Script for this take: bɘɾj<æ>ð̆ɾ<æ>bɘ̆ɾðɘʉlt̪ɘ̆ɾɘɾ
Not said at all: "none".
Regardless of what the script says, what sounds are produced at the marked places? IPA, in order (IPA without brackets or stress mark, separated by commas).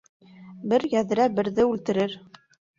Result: æ, æ